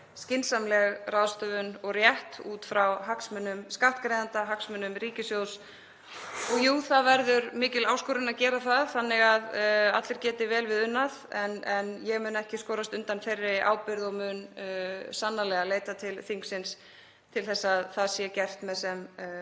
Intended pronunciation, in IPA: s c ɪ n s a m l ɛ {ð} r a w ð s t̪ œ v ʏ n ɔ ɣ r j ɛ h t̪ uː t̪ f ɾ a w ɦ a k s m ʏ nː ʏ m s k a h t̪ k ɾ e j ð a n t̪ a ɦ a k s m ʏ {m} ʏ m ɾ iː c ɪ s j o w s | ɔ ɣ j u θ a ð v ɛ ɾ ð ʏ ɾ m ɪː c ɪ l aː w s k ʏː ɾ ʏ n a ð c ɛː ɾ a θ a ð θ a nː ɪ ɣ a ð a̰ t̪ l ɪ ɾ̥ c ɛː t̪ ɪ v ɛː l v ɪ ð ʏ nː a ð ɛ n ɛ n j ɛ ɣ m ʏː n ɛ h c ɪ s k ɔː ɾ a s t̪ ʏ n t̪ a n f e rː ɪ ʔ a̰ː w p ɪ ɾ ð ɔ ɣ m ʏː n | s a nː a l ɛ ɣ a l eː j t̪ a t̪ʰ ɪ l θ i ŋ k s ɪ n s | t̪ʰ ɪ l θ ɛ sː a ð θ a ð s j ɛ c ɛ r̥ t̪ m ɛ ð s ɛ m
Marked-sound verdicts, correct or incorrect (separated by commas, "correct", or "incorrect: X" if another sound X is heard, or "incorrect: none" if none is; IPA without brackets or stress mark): incorrect: ɣ, incorrect: n